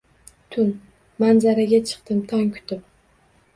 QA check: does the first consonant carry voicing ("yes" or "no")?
no